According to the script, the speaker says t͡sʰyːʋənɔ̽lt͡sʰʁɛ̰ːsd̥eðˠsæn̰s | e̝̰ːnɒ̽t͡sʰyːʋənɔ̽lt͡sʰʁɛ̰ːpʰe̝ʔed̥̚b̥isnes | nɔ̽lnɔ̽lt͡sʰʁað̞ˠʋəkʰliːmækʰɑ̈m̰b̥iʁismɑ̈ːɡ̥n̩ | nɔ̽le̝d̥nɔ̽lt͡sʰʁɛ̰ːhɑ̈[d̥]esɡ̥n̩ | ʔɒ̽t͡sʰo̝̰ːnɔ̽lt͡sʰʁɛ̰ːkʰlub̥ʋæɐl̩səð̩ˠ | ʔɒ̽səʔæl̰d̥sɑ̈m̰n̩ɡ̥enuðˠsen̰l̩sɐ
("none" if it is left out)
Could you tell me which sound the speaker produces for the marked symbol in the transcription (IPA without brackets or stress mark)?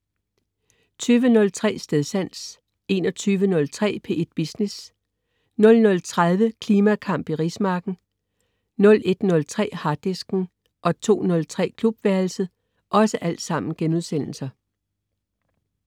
d̥